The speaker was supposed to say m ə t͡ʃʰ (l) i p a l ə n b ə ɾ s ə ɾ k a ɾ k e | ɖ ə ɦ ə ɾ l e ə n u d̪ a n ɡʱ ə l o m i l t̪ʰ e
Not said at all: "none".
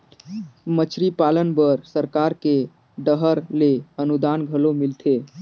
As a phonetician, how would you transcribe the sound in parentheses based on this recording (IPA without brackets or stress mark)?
ɾ